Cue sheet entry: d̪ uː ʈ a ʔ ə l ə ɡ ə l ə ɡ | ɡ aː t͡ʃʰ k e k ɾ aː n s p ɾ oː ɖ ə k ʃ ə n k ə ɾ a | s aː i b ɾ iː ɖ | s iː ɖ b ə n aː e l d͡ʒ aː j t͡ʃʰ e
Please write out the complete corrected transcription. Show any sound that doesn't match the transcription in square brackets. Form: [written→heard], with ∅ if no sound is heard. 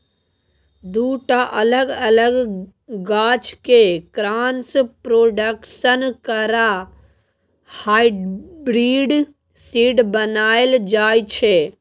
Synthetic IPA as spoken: d̪ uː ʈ a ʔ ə l ə ɡ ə l ə ɡ | ɡ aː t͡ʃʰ k e k ɾ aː n s p ɾ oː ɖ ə k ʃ ə n k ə ɾ a | [s→h] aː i b ɾ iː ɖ | s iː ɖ b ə n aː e l d͡ʒ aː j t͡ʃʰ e